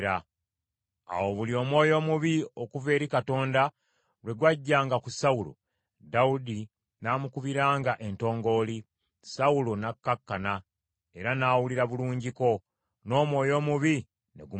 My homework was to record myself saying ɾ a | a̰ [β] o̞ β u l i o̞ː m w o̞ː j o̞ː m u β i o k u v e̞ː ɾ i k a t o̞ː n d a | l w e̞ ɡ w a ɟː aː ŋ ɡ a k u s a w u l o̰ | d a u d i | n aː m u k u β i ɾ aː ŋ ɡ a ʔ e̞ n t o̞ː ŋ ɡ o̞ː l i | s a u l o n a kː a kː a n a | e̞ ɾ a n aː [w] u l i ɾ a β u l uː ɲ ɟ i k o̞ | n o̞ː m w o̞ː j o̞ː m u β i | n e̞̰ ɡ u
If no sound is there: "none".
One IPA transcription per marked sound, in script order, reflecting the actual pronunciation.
w, w

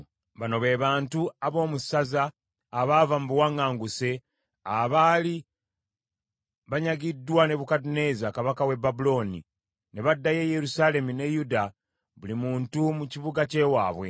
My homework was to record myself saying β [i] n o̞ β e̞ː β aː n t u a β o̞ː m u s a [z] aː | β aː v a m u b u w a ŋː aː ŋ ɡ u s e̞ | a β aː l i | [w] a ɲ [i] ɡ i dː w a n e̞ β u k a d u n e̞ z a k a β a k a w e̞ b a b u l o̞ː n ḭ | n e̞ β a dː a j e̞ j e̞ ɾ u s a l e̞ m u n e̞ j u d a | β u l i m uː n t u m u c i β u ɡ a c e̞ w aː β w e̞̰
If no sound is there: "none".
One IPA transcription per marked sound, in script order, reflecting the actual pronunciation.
a, z, β, a

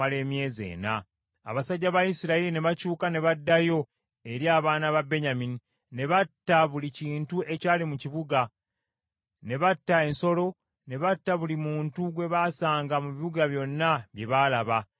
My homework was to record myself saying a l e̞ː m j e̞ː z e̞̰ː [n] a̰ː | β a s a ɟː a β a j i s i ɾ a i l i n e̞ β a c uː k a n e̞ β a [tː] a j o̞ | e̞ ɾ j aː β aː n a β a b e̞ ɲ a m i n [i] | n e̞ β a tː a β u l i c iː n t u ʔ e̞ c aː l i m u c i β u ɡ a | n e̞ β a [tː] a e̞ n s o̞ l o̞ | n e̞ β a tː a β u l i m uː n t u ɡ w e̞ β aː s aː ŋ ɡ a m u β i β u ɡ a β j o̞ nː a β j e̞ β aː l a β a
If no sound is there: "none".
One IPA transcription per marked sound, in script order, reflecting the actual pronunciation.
n, dː, i, tː

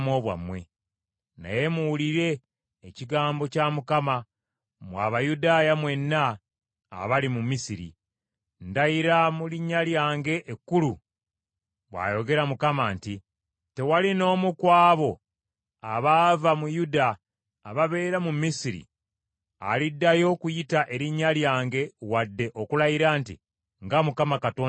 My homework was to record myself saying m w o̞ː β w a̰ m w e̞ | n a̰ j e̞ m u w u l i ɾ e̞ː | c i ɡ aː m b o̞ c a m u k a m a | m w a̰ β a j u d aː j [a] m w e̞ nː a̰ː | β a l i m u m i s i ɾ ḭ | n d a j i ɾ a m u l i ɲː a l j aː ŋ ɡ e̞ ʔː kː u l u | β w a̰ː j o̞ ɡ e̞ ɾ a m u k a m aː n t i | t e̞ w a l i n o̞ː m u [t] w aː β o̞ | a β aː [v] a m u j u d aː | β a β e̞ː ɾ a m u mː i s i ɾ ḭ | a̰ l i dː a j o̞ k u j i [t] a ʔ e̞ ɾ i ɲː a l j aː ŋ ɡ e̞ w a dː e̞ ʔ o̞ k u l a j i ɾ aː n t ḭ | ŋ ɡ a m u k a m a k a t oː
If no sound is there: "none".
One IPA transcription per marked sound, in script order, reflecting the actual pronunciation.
a, k, v, t

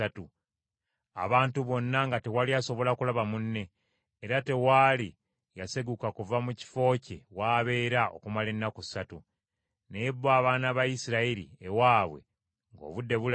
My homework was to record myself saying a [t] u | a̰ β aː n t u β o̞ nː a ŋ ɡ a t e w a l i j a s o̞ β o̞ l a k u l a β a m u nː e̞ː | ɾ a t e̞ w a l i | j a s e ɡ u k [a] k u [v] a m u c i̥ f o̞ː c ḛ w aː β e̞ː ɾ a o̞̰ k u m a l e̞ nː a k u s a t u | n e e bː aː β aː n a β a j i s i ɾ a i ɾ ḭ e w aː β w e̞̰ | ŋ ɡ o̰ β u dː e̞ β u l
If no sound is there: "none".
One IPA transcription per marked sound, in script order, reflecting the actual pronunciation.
t, a, v

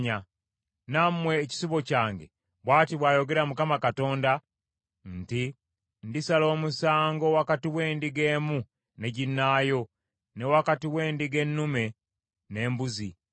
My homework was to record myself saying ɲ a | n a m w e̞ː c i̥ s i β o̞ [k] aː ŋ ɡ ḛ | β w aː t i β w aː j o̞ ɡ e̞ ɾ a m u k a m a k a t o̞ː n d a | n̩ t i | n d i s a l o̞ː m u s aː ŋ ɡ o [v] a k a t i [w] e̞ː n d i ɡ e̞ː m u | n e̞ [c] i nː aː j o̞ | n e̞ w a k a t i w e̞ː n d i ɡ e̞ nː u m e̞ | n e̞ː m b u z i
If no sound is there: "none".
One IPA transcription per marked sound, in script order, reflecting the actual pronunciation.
c, w, w, ɟ

